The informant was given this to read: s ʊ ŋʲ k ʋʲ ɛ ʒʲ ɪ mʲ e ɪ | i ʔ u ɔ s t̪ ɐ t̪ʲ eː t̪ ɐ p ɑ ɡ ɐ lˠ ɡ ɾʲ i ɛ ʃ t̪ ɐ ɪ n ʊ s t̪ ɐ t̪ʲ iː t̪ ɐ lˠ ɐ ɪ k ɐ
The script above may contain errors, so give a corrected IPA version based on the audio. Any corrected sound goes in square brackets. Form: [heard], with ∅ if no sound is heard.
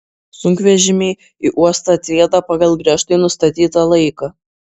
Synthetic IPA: s ʊ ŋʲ k ʋʲ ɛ ʒʲ ɪ mʲ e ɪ | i ʔ u ɔ s t̪ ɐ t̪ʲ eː [d̪] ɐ p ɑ ɡ ɐ lˠ ɡ ɾʲ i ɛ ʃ t̪ ɐ ɪ n ʊ s t̪ ɐ t̪ʲ iː t̪ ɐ lˠ ɐ ɪ k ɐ

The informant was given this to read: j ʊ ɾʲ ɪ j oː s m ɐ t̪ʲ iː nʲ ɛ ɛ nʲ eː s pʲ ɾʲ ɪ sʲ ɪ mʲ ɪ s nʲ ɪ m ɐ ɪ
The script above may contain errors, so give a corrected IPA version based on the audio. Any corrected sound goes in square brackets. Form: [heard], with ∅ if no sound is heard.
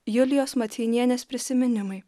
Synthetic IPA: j ʊ [lʲ] ɪ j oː s m ɐ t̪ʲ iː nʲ [i] ɛ nʲ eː s pʲ ɾʲ ɪ sʲ ɪ mʲ ɪ [∅] nʲ ɪ m ɐ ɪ

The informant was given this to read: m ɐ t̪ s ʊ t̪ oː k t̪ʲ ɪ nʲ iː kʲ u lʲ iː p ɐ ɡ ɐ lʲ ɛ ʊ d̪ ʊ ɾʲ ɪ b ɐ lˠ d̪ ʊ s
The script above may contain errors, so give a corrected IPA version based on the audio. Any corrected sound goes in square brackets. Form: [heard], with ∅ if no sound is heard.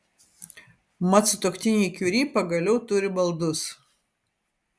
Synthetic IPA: m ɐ t̪ s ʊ t̪ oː k t̪ʲ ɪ nʲ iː kʲ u [ɾʲ] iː p ɐ ɡ ɐ lʲ ɛ ʊ [t̪] ʊ ɾʲ ɪ b ɐ lˠ d̪ ʊ s

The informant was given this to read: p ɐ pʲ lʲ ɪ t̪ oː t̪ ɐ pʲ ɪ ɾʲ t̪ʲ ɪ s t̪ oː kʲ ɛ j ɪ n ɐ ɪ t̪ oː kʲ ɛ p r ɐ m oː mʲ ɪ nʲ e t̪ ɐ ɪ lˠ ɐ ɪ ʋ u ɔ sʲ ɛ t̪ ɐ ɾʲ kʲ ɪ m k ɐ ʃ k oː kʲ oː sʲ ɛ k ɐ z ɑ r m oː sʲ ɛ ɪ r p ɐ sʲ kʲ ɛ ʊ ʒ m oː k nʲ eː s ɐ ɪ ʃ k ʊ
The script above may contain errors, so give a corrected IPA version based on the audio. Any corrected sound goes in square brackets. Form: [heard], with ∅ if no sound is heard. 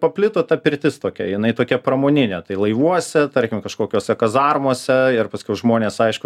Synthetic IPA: p ɐ pʲ lʲ ɪ t̪ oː t̪ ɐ pʲ ɪ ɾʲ t̪ʲ ɪ s t̪ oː kʲ ɛ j ɪ n ɐ ɪ t̪ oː kʲ ɛ p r ɐ m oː [nʲ] ɪ nʲ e t̪ ɐ ɪ lˠ ɐ ɪ ʋ u ɔ sʲ ɛ t̪ ɐ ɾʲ kʲ ɪ m k ɐ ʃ k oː kʲ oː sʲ ɛ k ɐ z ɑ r m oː sʲ ɛ ɪ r p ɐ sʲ kʲ ɛ ʊ ʒ m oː [∅] nʲ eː s ɐ ɪ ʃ k ʊ

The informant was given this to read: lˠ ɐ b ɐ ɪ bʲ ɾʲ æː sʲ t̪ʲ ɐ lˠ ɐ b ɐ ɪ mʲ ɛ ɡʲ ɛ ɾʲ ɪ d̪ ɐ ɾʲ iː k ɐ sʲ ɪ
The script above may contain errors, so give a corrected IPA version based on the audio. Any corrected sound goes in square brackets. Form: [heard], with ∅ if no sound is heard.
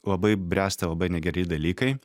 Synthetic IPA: lˠ ɐ b ɐ ɪ bʲ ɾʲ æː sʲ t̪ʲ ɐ lˠ ɐ b ɐ ɪ [nʲ] ɛ ɡʲ ɛ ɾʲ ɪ d̪ ɐ [lʲ] iː k ɐ [∅] ɪ

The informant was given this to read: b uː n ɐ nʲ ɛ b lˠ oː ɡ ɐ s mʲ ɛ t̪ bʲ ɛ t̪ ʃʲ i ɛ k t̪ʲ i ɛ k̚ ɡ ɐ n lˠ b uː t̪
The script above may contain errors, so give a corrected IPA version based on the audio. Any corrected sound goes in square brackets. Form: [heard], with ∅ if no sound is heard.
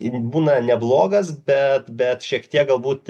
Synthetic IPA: b uː n ɐ nʲ ɛ b lˠ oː ɡ ɐ s [bʲ] ɛ t̪ bʲ ɛ t̪ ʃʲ i ɛ k t̪ʲ i ɛ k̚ ɡ ɐ [∅] lˠ b uː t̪

